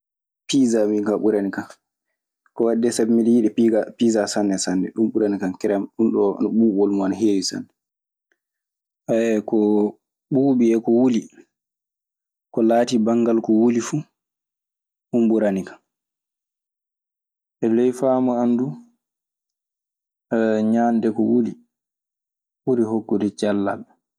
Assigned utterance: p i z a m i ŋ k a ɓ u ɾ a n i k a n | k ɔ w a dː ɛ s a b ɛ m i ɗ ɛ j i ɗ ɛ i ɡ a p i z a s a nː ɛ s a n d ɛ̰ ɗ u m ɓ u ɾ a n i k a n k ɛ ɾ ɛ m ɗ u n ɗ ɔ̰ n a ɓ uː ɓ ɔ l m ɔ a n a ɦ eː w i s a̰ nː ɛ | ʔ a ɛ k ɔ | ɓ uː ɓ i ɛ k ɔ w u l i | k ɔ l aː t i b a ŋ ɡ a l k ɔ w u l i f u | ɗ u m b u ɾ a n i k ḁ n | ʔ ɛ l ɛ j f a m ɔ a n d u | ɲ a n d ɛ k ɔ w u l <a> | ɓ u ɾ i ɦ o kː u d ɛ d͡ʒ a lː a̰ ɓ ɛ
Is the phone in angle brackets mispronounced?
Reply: yes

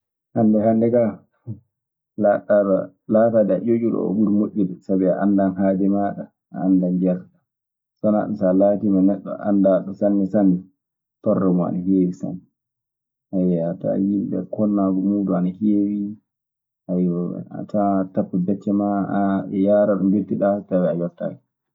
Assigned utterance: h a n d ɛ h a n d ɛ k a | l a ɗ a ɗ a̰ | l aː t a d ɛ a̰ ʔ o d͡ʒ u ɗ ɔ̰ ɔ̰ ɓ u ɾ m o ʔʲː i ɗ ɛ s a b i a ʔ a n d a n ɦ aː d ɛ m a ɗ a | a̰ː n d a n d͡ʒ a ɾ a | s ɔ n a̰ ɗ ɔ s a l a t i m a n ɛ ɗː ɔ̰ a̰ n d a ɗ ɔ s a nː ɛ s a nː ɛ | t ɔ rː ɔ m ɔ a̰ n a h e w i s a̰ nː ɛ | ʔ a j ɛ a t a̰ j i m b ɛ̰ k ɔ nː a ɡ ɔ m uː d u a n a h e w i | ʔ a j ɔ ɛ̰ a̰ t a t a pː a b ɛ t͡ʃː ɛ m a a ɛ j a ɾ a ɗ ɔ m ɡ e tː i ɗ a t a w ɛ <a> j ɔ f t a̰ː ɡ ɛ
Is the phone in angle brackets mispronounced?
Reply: no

